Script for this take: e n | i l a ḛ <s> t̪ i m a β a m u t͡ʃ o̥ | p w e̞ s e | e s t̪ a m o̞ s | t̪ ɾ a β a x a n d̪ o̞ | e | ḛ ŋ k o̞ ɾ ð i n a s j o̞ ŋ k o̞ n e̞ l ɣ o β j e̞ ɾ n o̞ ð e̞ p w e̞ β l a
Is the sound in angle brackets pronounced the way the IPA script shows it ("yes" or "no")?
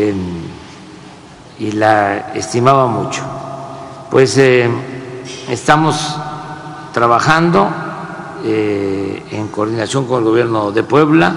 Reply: yes